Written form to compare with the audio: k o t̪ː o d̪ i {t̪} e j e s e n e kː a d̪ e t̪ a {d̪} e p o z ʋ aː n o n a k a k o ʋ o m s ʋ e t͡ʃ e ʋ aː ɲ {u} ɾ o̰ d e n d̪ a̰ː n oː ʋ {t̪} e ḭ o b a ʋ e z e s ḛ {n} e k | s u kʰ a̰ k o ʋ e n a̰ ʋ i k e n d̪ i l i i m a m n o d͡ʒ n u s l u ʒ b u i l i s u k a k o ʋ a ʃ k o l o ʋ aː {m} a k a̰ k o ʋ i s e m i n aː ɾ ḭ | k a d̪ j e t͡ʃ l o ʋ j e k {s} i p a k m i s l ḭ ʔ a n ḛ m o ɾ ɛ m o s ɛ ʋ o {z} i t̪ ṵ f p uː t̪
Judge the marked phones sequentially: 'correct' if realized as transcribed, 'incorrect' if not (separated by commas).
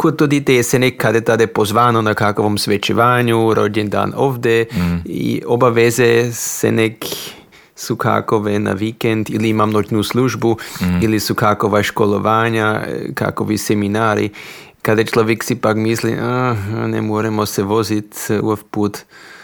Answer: correct, correct, correct, incorrect, correct, incorrect, correct, correct